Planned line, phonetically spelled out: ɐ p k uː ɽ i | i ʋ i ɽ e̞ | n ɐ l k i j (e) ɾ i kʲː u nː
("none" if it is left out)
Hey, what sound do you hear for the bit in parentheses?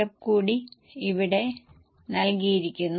i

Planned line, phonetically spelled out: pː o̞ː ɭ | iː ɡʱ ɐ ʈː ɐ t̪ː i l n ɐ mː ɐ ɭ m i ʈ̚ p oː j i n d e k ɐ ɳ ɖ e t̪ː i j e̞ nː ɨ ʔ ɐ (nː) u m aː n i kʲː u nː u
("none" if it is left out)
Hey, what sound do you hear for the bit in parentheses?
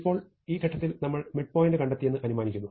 n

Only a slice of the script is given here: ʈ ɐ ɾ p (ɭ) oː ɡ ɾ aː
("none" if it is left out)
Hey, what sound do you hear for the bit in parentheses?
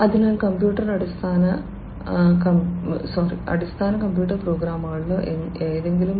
ɾ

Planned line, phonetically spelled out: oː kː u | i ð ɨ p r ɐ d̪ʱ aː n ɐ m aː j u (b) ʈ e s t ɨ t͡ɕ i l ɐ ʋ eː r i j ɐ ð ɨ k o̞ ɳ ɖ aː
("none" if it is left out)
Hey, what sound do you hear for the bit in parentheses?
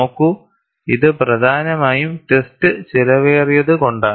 m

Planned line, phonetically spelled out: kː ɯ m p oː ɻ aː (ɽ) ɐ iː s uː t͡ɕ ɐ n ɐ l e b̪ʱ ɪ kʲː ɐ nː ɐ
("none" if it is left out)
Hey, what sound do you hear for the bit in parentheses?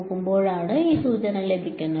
ɽ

